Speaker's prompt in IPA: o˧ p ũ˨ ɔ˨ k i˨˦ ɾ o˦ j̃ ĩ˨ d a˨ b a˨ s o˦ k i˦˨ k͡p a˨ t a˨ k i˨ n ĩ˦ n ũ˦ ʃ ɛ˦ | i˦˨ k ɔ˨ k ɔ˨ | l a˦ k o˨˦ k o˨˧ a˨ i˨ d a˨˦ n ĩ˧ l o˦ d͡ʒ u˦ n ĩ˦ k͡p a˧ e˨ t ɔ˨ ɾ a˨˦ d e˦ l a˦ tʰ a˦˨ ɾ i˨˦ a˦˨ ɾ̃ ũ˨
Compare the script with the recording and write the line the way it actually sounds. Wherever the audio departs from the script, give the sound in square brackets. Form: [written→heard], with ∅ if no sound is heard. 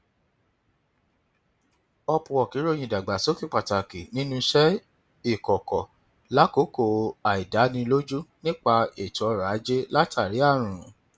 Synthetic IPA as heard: [o˧→ɔ˧] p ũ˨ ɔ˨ k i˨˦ ɾ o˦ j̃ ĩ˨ d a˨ [b→ɡ͡b] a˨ s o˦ k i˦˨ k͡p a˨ t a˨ k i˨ n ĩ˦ n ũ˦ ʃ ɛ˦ | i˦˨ k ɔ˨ k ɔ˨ | l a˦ k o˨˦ k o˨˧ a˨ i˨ d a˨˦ n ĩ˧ l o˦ d͡ʒ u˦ n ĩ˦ k͡p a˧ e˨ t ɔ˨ ɾ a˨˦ [d→d͡ʒ] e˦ l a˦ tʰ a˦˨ ɾ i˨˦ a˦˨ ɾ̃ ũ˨